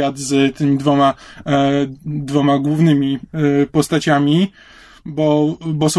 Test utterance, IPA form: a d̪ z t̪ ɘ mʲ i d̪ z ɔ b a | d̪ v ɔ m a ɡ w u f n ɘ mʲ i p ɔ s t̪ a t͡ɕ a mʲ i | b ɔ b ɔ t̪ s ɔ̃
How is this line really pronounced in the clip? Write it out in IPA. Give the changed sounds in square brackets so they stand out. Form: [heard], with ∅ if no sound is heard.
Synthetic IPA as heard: a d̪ z t̪ ɘ mʲ i d̪ [v] ɔ [m] a | d̪ v ɔ m a ɡ w u [v] n ɘ mʲ i p ɔ s t̪ a t͡ɕ a mʲ i | b ɔ b ɔ [∅] s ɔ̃